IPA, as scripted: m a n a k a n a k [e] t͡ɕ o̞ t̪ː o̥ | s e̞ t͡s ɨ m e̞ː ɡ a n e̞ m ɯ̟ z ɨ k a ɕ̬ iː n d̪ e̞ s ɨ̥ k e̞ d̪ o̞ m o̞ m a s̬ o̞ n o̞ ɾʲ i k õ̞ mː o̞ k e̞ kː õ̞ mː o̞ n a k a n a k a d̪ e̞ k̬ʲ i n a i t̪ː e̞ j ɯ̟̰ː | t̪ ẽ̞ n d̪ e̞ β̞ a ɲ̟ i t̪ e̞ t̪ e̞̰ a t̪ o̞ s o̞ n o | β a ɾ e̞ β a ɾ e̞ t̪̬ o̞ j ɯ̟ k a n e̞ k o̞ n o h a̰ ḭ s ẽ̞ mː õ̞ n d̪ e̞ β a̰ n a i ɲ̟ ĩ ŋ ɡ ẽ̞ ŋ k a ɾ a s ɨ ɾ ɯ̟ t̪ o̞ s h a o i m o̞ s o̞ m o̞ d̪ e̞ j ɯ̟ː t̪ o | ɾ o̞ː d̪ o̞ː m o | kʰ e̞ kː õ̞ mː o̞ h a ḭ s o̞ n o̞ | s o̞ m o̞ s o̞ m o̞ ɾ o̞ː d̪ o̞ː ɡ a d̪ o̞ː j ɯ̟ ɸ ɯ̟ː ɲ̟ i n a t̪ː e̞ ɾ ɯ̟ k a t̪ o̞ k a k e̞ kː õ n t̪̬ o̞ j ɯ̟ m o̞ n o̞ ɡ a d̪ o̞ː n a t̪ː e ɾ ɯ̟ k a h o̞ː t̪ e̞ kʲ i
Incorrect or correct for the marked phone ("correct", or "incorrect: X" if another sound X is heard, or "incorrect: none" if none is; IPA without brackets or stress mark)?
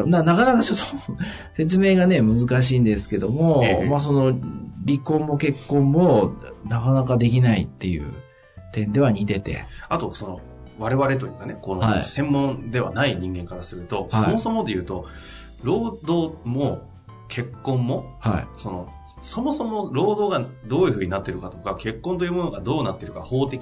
incorrect: a